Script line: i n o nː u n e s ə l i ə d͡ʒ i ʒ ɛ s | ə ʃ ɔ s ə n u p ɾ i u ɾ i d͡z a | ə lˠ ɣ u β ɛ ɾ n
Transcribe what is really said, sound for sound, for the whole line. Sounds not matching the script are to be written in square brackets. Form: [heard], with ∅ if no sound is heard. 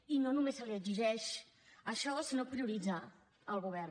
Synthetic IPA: i n o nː u [m] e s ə l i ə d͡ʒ i ʒ ɛ [ʃ] | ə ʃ ɔ s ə n [o] p ɾ i u ɾ i d͡z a | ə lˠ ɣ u β ɛ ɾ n